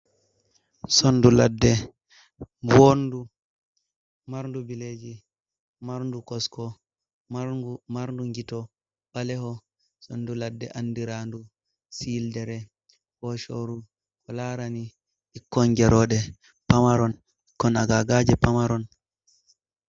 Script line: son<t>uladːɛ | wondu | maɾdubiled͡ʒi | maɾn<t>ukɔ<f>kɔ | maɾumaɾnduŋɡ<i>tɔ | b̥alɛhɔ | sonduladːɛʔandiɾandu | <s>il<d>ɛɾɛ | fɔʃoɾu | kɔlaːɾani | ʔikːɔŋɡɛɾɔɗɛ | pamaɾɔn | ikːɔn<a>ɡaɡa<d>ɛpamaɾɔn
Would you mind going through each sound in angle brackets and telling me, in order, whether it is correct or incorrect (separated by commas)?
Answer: incorrect, incorrect, incorrect, correct, correct, correct, correct, incorrect